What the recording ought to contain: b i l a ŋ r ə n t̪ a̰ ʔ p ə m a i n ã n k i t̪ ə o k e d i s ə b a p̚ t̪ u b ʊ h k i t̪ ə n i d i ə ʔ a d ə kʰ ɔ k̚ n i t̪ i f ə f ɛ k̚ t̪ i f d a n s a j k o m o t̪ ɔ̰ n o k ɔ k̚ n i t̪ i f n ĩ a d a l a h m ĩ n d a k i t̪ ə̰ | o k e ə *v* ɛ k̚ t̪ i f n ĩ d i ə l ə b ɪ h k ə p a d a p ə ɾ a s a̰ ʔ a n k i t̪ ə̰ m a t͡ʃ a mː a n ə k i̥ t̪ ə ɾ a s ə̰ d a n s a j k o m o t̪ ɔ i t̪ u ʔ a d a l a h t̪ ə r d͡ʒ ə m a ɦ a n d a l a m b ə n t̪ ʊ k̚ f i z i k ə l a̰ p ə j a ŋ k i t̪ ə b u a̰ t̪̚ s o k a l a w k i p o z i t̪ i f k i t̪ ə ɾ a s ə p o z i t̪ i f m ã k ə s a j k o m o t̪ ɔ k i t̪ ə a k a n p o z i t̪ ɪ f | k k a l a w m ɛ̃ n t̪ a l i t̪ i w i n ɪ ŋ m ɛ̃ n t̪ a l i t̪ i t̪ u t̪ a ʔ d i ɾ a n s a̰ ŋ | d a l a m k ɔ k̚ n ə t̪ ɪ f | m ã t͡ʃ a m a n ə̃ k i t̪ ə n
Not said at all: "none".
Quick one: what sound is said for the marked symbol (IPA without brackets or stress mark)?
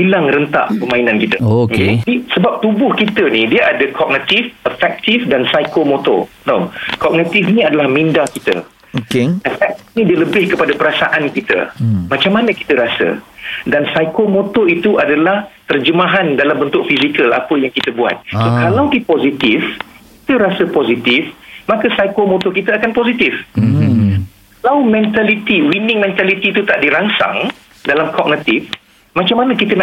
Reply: f